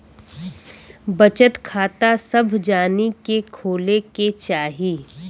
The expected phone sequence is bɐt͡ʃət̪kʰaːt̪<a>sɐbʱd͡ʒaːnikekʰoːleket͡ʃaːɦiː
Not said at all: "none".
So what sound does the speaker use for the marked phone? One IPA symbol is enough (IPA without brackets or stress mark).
a